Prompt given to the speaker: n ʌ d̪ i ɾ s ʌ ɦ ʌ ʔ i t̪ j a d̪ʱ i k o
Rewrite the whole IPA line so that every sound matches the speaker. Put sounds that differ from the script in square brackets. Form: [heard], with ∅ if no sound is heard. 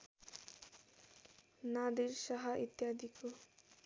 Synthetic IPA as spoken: n [a] d̪ i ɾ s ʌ ɦ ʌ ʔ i t̪ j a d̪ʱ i k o